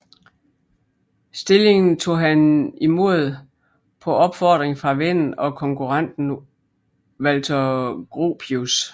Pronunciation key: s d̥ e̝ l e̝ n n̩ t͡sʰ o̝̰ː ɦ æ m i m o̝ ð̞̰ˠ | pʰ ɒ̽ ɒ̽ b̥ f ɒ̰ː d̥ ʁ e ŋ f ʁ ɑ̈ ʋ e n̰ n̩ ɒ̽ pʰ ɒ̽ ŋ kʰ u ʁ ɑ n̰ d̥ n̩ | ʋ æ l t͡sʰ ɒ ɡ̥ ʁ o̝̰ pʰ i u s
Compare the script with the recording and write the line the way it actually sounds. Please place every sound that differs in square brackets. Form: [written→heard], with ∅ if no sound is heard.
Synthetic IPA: s d̥ e̝ l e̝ [n→ŋ] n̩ t͡sʰ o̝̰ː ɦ æ [m→n] i m o̝ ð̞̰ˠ | pʰ ɒ̽ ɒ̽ b̥ f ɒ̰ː d̥ ʁ e ŋ f ʁ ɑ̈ ʋ e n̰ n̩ ɒ̽ [pʰ→kʰ] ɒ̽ ŋ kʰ u ʁ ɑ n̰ d̥ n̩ | ʋ æ l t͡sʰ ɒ ɡ̥ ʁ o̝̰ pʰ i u s

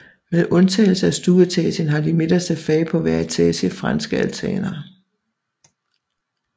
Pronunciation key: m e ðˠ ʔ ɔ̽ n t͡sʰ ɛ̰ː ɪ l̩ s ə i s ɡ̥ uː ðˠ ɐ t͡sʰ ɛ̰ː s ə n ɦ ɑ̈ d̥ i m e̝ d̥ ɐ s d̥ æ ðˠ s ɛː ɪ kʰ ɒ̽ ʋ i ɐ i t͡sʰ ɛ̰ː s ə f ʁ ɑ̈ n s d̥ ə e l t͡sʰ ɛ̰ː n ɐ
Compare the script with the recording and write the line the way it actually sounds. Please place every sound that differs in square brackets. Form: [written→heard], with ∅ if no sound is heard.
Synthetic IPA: m e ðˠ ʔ ɔ̽ n t͡sʰ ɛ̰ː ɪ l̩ s ə [i→æ] s [ɡ̥→d̥] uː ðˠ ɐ t͡sʰ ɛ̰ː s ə n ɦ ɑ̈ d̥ i m e̝ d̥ ɐ s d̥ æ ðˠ [s→f] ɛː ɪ [kʰ→pʰ] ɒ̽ ʋ [i→æ] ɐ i t͡sʰ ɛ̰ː s ə f ʁ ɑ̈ n s [d̥→ɡ̥] ə [e→æ] l t͡sʰ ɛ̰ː n ɐ

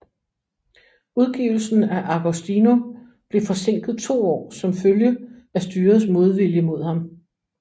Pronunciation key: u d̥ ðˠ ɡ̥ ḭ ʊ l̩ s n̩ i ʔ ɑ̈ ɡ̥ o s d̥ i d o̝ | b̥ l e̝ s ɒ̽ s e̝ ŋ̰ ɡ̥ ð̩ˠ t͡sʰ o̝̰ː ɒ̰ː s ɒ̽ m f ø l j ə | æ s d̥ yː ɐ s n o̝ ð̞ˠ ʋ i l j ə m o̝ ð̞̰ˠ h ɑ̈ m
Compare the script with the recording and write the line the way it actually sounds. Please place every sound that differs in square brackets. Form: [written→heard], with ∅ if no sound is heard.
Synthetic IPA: u [d̥→∅] ðˠ ɡ̥ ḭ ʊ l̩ s n̩ [i→æ] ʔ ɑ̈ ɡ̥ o s d̥ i [d→n] o̝ | b̥ l e̝ [s→f] ɒ̽ s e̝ ŋ̰ ɡ̥ ð̩ˠ t͡sʰ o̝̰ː ɒ̰ː s ɒ̽ m f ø l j ə | æ s d̥ yː ɐ s [n→m] o̝ ð̞ˠ ʋ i l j ə m o̝ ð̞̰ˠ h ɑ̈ m

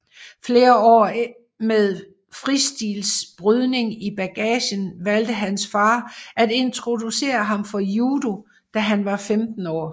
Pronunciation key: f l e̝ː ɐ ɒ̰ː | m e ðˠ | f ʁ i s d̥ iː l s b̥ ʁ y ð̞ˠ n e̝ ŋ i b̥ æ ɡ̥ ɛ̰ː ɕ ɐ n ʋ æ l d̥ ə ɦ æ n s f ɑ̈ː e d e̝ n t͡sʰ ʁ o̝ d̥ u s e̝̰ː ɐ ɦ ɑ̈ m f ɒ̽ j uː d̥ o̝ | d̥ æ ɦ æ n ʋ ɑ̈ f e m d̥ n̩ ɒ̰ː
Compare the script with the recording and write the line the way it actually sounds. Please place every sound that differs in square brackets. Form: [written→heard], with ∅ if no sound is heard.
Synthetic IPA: f l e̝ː ɐ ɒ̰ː | m e ðˠ | f ʁ i s d̥ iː l s b̥ ʁ y ð̞ˠ n e̝ ŋ i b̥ æ ɡ̥ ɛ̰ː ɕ [ɐ→ə] n ʋ æ l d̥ ə ɦ æ n s f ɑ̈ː [e→æ] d e̝ n t͡sʰ ʁ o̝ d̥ u s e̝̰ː ɐ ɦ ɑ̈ m f ɒ̽ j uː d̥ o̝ | d̥ æ ɦ æ n ʋ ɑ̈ f e m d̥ n̩ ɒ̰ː

